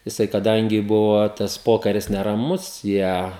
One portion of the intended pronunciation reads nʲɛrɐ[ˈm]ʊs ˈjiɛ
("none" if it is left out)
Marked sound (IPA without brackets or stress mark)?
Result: m